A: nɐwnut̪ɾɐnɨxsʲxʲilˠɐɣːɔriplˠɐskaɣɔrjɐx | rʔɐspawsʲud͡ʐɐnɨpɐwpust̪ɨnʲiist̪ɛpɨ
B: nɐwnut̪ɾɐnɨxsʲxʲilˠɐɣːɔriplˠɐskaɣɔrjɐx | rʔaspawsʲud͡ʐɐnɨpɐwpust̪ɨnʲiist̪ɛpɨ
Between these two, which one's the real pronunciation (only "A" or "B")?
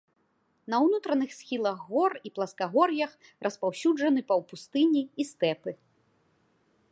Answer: A